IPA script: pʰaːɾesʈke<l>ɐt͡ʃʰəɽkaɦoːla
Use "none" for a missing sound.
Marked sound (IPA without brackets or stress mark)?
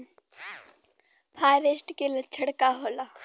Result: l